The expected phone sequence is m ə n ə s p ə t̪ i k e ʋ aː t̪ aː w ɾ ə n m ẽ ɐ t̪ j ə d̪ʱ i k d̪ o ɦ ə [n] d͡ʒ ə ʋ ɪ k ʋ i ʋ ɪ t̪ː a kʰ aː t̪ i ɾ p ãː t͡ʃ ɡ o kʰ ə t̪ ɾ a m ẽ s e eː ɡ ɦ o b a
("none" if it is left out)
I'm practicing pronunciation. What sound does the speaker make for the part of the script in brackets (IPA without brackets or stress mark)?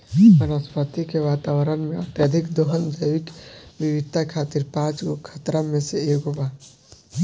n